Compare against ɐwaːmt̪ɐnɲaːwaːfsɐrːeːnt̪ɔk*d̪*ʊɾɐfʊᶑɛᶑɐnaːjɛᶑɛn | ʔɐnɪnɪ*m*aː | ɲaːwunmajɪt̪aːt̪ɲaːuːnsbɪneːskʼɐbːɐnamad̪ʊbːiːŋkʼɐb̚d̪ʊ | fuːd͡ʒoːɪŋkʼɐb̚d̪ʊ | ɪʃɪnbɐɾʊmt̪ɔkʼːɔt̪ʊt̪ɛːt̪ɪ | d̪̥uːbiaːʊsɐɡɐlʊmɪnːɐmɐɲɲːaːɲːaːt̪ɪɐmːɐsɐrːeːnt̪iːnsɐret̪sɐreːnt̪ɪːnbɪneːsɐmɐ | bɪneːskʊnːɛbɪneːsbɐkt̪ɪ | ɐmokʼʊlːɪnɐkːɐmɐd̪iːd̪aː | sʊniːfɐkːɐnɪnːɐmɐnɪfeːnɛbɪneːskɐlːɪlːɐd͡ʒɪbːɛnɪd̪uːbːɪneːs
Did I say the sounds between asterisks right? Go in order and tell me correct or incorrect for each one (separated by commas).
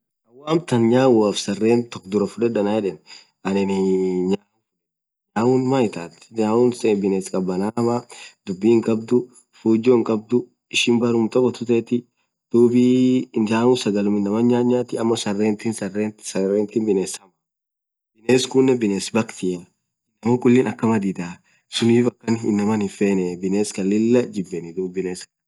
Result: correct, incorrect